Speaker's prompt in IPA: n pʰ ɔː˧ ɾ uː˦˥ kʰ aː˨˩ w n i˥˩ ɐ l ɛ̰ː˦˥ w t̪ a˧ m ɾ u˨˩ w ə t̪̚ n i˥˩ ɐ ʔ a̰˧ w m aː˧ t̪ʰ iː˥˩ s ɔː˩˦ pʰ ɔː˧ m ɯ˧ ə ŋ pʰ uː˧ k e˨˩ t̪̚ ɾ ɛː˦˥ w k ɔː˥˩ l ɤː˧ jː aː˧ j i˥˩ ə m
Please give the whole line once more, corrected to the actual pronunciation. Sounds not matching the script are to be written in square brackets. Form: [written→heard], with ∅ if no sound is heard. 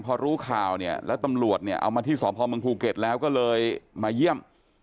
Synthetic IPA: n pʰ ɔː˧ ɾ uː˦˥ kʰ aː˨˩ w n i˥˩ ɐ l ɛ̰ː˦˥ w t̪ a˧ m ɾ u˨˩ [w→∅] ə t̪̚ n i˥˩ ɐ ʔ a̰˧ w m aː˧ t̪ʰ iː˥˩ s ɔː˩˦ pʰ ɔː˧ m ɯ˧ ə ŋ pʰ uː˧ k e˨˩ t̪̚ [ɾ→l] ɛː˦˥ w k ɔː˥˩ l ɤː˧ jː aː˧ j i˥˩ ə m